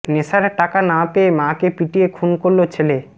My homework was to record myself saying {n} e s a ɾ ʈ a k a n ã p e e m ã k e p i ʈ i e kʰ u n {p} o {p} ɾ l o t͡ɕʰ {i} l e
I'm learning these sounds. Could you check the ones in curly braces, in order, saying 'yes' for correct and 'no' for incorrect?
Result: yes, no, no, no

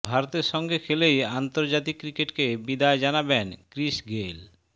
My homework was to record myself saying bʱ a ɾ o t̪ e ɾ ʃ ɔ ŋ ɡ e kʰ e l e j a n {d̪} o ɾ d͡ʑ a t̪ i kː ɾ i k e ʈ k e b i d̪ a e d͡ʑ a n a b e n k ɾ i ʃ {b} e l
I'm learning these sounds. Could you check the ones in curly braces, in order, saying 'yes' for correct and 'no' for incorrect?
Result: no, no

